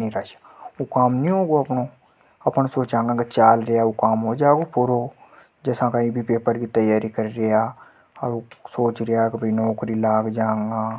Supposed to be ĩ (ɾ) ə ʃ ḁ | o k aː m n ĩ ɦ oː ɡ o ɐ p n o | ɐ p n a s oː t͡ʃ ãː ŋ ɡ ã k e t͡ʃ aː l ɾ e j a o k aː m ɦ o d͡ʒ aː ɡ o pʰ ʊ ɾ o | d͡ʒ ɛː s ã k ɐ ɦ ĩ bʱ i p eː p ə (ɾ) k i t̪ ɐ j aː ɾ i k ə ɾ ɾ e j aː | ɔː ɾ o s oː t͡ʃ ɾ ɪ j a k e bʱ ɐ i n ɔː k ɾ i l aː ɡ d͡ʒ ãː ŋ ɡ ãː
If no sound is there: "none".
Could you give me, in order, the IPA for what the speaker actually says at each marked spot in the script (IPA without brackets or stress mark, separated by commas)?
ɾ, ɾ